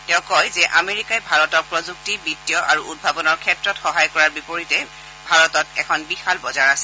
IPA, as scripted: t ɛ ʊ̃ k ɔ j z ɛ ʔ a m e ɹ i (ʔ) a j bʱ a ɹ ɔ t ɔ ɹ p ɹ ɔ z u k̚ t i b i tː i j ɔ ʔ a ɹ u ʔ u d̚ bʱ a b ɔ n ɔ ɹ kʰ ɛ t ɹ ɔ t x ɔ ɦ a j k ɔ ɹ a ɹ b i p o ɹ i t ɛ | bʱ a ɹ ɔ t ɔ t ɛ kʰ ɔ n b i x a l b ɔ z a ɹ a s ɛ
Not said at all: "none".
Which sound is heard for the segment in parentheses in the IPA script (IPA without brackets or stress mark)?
k